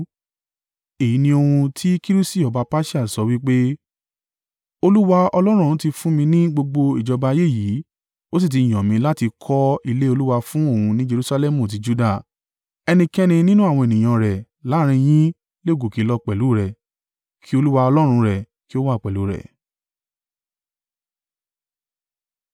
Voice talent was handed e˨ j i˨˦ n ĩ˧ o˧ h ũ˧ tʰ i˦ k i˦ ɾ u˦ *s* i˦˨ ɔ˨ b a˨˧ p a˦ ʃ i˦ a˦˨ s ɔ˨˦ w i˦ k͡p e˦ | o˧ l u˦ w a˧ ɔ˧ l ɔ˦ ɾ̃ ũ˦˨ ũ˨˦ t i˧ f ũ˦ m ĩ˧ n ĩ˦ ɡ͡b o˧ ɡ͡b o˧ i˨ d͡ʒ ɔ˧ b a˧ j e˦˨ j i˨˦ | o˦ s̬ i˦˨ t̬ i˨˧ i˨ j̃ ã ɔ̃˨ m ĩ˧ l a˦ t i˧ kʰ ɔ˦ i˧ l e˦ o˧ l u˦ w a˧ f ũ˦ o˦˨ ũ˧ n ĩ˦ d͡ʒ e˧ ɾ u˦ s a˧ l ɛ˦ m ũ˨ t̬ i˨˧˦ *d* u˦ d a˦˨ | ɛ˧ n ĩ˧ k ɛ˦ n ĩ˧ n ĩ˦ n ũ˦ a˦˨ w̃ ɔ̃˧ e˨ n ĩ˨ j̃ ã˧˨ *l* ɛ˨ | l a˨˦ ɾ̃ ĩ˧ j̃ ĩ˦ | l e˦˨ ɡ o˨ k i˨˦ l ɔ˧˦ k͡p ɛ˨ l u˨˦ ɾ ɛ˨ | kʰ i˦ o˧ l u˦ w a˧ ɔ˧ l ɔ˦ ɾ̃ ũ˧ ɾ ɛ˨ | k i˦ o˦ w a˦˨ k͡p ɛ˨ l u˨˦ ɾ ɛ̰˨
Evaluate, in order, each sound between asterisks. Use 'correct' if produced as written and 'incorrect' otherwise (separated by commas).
correct, incorrect, incorrect